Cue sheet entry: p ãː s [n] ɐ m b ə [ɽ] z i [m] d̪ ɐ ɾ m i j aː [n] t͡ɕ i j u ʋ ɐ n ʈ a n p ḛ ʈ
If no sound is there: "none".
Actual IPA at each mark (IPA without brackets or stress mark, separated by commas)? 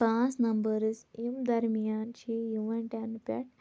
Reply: n, ɾ, m, n